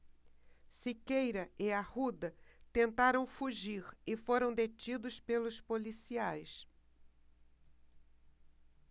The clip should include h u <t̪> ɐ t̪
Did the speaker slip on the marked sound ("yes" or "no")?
yes